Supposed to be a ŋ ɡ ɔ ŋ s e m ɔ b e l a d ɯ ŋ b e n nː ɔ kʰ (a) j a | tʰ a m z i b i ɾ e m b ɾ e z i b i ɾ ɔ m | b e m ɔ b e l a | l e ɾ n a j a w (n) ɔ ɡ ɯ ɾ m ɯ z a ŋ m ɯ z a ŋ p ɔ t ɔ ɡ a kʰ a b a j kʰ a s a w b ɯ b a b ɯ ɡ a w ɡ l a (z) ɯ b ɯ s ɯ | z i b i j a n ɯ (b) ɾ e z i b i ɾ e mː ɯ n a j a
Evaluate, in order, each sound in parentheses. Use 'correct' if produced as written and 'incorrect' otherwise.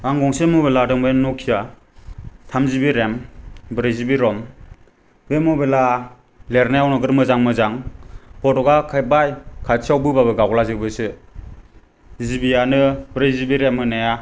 incorrect: i, correct, correct, correct

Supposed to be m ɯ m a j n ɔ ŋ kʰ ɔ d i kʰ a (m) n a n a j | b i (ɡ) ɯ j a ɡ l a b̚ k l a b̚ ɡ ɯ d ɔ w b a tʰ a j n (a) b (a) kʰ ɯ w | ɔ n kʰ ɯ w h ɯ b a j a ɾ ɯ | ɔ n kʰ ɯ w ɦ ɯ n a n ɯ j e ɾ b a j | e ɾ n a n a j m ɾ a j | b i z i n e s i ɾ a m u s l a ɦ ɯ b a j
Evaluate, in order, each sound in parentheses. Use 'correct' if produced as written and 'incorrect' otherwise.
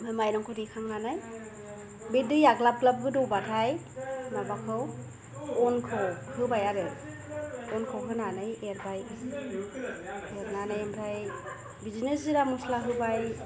incorrect: ŋ, incorrect: d, correct, correct

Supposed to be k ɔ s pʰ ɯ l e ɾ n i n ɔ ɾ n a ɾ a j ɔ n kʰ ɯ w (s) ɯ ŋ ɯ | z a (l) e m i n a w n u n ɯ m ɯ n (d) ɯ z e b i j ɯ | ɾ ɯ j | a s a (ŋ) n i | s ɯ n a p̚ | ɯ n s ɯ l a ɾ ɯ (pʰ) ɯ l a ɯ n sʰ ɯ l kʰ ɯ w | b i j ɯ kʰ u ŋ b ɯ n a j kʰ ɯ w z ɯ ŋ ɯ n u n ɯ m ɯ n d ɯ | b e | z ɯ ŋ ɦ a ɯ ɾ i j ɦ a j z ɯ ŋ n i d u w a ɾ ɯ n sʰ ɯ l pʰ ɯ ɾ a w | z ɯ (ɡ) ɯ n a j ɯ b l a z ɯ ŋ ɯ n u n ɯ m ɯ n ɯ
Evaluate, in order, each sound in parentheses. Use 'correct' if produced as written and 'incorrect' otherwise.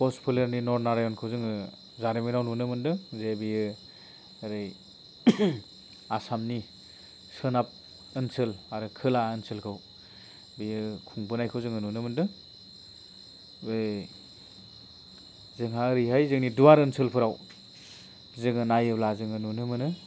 incorrect: z, incorrect: ɾ, correct, incorrect: m, incorrect: kʰ, incorrect: ŋ

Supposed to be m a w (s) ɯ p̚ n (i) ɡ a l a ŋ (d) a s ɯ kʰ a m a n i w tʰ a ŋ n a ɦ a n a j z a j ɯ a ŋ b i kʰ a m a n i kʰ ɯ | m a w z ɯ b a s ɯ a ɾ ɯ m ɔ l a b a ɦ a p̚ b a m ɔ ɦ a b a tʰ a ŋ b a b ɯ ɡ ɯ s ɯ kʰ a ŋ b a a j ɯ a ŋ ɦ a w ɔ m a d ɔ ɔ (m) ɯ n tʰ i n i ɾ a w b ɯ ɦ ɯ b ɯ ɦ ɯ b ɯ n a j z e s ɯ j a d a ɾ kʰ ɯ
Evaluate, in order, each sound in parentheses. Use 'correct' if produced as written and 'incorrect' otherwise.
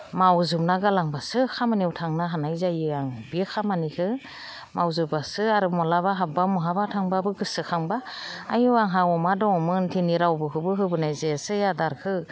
incorrect: z, incorrect: a, incorrect: b, correct

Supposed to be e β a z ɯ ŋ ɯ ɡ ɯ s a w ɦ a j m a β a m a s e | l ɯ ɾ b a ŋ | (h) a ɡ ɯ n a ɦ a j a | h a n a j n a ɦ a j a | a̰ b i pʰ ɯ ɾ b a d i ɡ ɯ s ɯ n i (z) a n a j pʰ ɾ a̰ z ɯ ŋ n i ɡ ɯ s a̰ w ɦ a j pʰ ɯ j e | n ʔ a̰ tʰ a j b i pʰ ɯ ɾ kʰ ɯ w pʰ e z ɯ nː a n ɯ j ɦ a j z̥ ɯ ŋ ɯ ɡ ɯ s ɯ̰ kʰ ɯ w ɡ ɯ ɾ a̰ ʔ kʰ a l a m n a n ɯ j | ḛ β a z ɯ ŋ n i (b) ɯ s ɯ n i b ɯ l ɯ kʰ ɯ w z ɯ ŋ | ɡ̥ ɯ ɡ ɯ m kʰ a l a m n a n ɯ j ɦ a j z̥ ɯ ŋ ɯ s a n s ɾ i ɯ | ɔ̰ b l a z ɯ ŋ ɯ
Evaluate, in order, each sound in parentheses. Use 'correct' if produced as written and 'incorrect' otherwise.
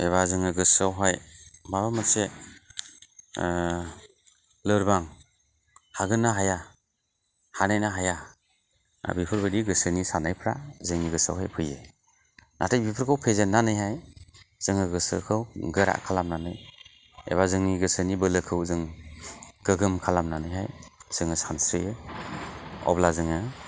correct, incorrect: s, incorrect: ɡ

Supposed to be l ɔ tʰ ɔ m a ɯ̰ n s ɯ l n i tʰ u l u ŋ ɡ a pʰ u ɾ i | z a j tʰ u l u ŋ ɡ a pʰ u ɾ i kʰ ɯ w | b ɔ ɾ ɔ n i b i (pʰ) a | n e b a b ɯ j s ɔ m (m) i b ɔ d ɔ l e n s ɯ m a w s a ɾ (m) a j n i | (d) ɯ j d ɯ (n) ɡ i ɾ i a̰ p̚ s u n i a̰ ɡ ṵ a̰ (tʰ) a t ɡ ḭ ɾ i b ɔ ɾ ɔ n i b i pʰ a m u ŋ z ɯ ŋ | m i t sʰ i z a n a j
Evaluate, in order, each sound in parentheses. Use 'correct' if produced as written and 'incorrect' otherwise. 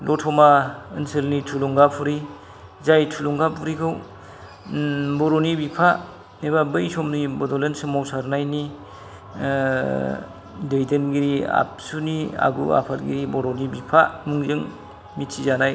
correct, incorrect: n, incorrect: n, correct, correct, incorrect: pʰ

